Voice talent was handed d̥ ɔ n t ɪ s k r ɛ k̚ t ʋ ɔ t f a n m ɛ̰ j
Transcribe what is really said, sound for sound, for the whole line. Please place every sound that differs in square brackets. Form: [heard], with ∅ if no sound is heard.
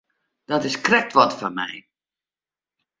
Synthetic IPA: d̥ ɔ [∅] t ɪ s k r ɛ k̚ t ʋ ɔ t f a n m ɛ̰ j